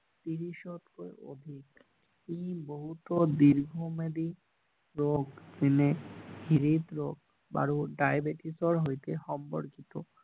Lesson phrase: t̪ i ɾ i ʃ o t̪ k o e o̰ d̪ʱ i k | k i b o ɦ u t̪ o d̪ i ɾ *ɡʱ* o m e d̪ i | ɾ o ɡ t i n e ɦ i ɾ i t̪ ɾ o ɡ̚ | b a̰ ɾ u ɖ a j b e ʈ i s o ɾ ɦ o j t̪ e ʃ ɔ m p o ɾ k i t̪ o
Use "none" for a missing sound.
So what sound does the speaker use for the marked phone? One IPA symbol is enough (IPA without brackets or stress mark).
ɡʱ